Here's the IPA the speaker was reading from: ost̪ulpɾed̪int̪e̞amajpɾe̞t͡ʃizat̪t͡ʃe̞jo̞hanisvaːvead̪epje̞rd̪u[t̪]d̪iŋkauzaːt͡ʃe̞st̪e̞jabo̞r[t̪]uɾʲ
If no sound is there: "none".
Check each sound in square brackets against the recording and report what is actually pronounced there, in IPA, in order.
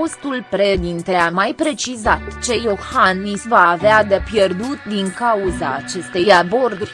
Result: t̪, d̪

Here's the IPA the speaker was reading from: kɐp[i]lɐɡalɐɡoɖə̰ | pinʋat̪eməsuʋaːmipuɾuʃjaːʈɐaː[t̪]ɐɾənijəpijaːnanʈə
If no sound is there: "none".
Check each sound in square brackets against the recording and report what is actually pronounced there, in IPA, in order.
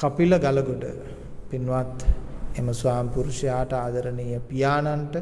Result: i, d̪

